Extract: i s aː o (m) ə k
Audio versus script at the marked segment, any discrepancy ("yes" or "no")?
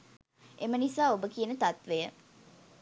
yes